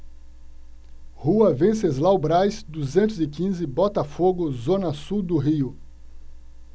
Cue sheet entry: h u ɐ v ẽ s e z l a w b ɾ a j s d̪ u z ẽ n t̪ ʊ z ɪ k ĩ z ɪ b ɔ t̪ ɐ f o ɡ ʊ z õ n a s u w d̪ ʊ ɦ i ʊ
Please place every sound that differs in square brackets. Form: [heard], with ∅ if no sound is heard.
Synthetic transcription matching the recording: h u ɐ v ẽ s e z l a w b ɾ a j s d̪ u z ẽ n t̪ ʊ z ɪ k ĩ z ɪ b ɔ t̪ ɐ f o ɡ ʊ z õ n [ɐ] s u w d̪ ʊ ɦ i ʊ